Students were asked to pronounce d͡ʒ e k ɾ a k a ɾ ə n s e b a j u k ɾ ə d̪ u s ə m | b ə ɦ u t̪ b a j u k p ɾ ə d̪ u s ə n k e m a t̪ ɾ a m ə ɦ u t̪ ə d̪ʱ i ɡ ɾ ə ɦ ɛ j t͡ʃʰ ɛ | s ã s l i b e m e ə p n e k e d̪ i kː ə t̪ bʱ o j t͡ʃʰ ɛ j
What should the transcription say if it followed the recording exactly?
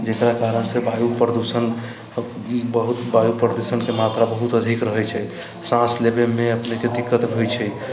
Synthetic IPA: d͡ʒ e k ɾ a k a ɾ ə n s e b a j u p ɾ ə d̪ u s ə n | b ə ɦ u t̪ b a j u p ɾ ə d̪ u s ə n k e m a t̪ ɾ a b ə ɦ u t̪ ə d̪ʱ i k ɾ ə ɦ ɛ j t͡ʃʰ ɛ | s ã s l e b e m e ə p n e k e d̪ i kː ə t̪ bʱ o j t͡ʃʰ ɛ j